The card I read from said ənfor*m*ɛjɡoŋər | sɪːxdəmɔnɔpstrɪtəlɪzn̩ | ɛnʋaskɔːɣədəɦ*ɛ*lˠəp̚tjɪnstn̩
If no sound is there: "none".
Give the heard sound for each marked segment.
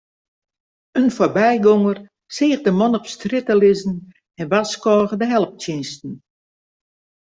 b, ɛ

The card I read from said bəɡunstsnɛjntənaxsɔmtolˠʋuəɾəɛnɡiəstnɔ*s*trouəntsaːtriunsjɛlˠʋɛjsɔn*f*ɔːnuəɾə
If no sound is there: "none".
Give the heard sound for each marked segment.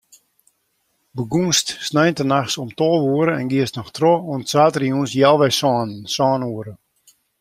x, s

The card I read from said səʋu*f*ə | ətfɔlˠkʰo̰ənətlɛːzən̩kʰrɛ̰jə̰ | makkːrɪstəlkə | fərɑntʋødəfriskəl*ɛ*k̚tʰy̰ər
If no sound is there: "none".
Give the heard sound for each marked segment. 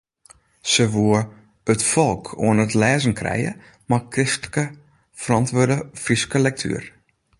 none, ɛ

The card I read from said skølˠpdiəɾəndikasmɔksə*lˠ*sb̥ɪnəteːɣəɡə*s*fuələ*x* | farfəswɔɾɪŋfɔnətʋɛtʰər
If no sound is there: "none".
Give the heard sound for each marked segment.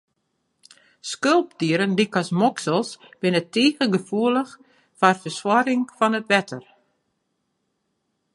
lˠ, none, x

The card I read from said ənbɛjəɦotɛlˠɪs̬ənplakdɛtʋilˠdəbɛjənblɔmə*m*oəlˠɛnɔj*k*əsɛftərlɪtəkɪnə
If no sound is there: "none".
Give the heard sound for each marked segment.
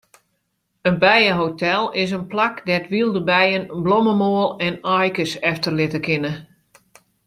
m, k

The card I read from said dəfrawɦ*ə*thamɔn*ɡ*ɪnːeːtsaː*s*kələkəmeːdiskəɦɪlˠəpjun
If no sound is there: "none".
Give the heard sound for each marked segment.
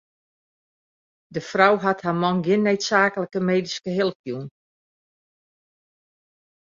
a, ɡ, none

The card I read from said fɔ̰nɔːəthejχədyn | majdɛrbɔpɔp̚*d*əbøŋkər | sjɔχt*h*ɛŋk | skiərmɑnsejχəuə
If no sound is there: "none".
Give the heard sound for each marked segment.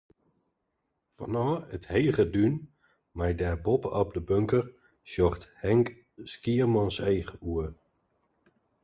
d, h

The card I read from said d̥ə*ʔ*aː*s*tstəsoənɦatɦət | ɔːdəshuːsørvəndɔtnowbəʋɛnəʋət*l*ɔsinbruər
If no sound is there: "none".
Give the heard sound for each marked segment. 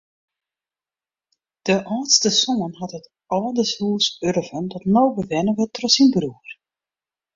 ʔ, none, r

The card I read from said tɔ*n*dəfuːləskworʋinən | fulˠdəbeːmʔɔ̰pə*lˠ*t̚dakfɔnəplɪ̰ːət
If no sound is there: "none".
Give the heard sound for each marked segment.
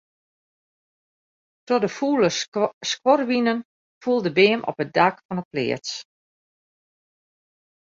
none, none

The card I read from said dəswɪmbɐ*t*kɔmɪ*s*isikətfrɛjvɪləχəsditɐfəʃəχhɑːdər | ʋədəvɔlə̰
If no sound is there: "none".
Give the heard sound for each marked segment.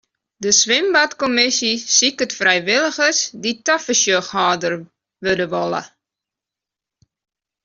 t, s

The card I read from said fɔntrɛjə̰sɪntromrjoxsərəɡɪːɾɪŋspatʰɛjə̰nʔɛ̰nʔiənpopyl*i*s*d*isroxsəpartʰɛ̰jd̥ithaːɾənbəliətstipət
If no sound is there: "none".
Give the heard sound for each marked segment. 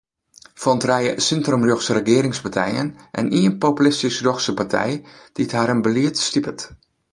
ɪ, t

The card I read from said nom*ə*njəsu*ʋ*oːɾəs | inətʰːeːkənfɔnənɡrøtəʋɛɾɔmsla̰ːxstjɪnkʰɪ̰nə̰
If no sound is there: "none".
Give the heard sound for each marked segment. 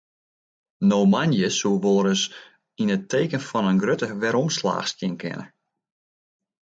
a, ʋ

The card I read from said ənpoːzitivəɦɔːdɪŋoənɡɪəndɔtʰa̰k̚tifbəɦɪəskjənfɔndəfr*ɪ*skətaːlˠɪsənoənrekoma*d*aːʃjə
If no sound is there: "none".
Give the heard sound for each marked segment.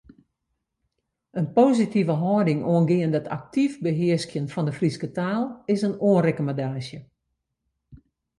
i, d

